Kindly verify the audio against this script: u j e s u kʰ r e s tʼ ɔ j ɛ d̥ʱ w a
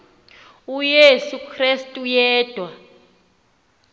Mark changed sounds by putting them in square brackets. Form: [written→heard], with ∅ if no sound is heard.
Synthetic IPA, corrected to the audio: u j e s u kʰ r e s tʼ [ɔ→u] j [ɛ→ɛː] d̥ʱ w a